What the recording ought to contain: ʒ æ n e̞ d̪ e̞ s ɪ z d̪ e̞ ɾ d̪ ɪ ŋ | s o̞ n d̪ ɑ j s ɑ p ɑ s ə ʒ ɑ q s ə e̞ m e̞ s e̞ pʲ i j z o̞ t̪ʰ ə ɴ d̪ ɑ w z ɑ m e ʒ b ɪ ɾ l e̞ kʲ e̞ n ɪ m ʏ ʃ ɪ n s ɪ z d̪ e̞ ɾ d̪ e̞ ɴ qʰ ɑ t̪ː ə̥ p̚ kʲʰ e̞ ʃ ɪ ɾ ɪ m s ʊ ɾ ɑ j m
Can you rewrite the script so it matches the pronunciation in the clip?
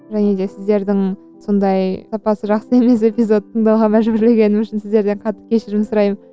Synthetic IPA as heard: ʒ æ n e̞ d̪ e̞ s ɪ z d̪ e̞ ɾ d̪ ɪ ŋ | s o̞ n d̪ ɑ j s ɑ p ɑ s ə ʒ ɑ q s ə e̞ m e̞ s e̞ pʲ i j z o̞ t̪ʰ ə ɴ d̪ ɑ w ʁ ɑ m æ ʒ b ɪ ɾ l e̞ ɡʲ e̞ n ɪ m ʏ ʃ ɪ n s ɪ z d̪ e̞ ɾ d̪ e̞ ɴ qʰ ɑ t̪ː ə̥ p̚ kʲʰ e̞ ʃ ɪ ɾ ɪ m s ʊ ɾ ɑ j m

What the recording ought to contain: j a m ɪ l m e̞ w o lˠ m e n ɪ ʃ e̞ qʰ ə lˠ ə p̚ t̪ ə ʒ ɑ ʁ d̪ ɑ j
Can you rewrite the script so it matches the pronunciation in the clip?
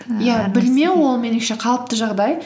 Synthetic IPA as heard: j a b ɪ l m e̞ w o lˠ m e n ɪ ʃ e̞ qʰ ɑ lˠ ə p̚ t̪ ə ʒ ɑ ʁ d̪ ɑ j

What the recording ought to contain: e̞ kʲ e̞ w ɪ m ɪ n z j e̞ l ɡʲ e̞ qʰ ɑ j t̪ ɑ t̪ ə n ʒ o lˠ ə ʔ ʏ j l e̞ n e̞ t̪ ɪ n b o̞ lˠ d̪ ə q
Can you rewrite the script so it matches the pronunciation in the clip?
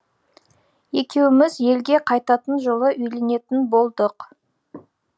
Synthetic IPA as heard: e̞ kʲ e̞ w ɪ m ɪ z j e̞ l ɡʲ e̞ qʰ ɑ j t̪ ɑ t̪ ə n ʒ o lˠ ə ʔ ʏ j l e̞ n e̞ t̪ ɪ n b o̞ lˠ d̪ ə q

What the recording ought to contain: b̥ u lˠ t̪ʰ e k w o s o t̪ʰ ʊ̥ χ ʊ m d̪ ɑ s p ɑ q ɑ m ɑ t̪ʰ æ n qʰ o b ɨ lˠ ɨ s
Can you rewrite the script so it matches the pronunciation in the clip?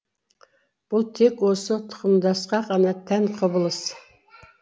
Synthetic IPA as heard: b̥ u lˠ t̪ʰ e k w o s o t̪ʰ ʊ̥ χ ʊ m d̪ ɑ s q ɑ q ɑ n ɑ t̪ʰ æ n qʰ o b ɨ lˠ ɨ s

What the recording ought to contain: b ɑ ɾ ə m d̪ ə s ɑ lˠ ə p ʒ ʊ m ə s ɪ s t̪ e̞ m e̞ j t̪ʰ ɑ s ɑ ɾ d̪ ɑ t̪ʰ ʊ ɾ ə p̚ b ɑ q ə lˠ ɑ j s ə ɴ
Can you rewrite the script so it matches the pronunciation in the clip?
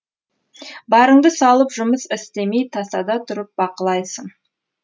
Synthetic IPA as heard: b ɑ ɾ ə ɴ d̪ ə s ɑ lˠ ə p ʒ ʊ m ə s ɪ s t̪ e̞ m e̞ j t̪ʰ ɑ s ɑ d̪ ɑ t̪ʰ ʊ ɾ ə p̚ b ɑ q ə lˠ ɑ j s ə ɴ

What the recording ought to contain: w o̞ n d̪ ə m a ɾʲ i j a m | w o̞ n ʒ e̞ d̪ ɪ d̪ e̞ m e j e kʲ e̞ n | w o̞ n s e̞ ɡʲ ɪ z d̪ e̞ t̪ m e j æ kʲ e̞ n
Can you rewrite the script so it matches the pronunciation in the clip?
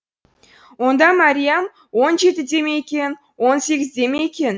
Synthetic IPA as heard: w o̞ n d̪ ɑ m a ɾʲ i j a m | w o̞ n ʒ e̞ t̪ ɪ d̪ e̞ m e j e kʲ e̞ n | w o̞ n s e̞ ɡʲ ɪ z d̪ e̞ m e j e kʲ e̞ n

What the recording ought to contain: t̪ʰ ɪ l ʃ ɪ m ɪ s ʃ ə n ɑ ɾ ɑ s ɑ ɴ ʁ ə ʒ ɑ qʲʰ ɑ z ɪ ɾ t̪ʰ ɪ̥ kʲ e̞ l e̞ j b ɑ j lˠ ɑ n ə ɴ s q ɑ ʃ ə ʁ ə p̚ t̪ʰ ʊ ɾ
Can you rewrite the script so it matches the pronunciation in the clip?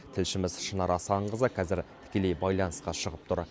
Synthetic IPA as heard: t̪ʰ ɪ l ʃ ɪ m ɪ z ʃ ə n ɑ ɾ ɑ s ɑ ɴ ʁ ə z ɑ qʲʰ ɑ z ɪ ɾ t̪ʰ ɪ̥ kʲ e̞ l e̞ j b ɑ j lˠ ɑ n ə s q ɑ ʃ ə ʁ ə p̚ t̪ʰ ʊ ɾ

